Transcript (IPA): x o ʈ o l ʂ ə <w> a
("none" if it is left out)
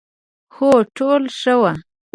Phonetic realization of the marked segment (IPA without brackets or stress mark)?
w